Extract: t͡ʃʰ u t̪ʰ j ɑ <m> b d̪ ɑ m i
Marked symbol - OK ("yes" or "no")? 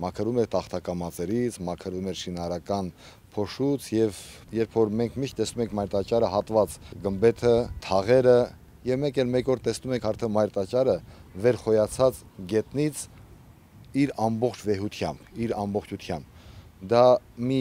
yes